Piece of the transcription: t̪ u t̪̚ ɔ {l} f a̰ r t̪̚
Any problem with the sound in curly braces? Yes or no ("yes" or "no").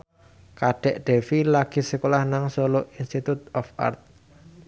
yes